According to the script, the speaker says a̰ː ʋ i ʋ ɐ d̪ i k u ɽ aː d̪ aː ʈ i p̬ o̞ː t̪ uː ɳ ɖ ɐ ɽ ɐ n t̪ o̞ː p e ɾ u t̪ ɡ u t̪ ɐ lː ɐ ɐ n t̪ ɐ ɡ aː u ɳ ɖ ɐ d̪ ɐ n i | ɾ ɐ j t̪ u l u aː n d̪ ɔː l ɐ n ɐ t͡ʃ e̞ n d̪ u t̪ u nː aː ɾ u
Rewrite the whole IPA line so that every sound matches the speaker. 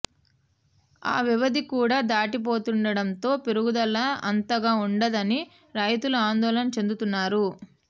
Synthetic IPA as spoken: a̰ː ʋ i ʋ ɐ d̪ i k uː ɽ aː d̪ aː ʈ i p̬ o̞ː t̪ u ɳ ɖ ɐ ɽ ɐ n t̪ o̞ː p e ɾ u ɡ u d̪ ɐ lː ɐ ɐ n t̪ ɐ ɡ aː u ɳ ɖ ɐ d̪ ɐ n i | ɾ ɐ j t̪ u l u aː n d̪ ɔː l ɐ n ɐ t͡ʃ e̞ n d̪ u t̪ u nː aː ɾ u